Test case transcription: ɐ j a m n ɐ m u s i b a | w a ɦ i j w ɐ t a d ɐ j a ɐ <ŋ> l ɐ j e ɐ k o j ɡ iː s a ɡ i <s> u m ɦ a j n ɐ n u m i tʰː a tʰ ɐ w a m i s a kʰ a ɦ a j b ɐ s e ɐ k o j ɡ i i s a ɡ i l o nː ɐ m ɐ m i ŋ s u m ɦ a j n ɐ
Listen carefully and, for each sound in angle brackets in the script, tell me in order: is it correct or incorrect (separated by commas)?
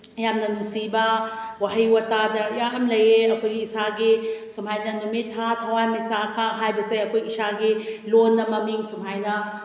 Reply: incorrect, correct